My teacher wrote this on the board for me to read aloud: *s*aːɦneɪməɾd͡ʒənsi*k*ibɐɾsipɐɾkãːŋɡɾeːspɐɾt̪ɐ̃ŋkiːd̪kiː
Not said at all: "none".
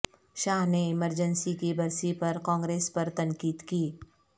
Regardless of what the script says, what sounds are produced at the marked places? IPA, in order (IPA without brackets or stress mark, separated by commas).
ʃ, k